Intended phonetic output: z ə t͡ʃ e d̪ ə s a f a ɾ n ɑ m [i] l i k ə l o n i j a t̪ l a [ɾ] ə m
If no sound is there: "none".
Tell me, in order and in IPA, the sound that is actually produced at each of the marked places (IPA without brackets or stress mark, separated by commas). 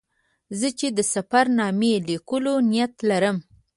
e, ɾ